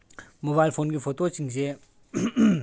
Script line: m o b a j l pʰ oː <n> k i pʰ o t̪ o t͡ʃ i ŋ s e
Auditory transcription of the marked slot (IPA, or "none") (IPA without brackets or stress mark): n